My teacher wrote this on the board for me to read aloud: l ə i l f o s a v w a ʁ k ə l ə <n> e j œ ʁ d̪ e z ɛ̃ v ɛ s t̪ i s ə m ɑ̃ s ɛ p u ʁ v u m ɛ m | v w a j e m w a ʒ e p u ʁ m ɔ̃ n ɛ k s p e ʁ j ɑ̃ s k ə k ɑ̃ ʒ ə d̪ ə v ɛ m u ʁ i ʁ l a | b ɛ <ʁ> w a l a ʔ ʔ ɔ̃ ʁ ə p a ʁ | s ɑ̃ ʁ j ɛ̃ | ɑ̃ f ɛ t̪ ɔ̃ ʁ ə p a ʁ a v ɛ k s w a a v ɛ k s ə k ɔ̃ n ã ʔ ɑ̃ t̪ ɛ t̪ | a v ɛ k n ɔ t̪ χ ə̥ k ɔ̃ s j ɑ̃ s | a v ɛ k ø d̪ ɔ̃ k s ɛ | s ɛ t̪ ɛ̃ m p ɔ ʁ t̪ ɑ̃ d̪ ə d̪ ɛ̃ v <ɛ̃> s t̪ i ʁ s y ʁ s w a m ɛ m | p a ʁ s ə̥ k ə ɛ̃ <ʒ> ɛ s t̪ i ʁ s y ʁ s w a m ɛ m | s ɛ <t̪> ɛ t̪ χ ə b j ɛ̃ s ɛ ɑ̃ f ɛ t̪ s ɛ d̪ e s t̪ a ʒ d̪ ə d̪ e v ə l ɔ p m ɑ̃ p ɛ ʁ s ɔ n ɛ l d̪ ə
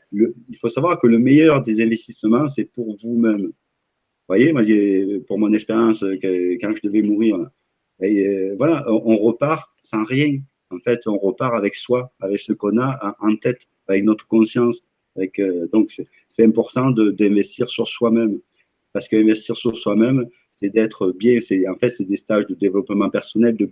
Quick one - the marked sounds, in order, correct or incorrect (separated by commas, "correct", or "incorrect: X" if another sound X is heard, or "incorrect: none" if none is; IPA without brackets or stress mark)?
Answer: incorrect: m, incorrect: v, incorrect: ɛ, incorrect: v, incorrect: d̪